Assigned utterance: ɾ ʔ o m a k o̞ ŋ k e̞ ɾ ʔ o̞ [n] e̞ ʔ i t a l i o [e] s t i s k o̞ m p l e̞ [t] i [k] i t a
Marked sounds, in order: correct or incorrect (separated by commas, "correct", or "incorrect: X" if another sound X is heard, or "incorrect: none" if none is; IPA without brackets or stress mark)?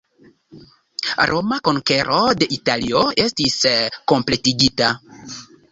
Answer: incorrect: d, correct, correct, incorrect: ɡ